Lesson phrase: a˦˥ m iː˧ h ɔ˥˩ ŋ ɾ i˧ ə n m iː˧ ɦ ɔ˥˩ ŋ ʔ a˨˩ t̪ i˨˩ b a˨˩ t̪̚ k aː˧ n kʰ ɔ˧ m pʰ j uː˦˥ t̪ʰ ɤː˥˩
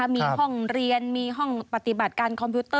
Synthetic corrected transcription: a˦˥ m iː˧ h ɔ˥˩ ŋ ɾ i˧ ə n m iː˧ ɦ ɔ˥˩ ŋ p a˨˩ t̪ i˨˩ b a˨˩ t̪̚ k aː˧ n kʰ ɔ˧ m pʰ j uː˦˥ t̪ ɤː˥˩